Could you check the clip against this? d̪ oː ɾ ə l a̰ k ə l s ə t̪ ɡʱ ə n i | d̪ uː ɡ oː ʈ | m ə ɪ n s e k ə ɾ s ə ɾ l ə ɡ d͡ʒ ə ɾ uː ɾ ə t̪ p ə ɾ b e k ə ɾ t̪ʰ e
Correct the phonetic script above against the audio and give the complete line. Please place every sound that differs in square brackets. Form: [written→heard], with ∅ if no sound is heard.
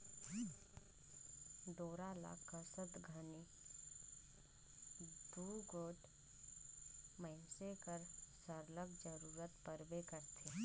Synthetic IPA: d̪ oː ɾ [ə→a] l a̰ k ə [l→∅] s ə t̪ ɡʱ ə n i | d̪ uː ɡ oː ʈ | m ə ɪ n s e k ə ɾ s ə ɾ l ə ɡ d͡ʒ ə ɾ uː ɾ ə t̪ p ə ɾ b e k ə ɾ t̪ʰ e